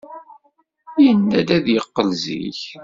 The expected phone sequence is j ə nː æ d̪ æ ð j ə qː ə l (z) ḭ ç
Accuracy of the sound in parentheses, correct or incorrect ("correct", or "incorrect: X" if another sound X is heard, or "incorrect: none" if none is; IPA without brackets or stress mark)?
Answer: correct